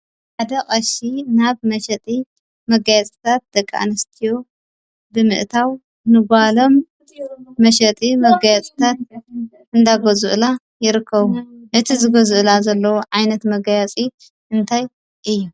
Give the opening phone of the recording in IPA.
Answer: ħ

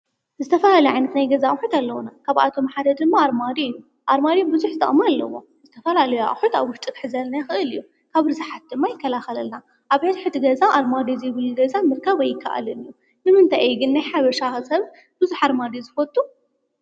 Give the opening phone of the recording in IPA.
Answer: z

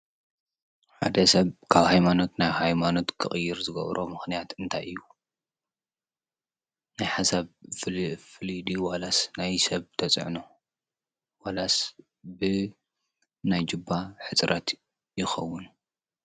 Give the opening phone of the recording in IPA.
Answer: ħ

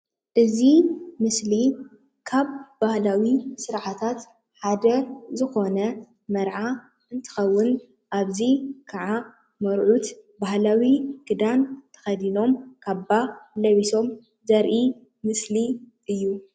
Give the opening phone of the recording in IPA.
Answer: ʔ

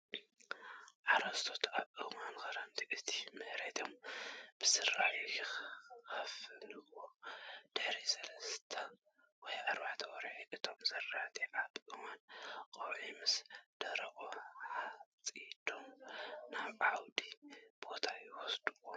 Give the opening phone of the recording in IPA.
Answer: ʕ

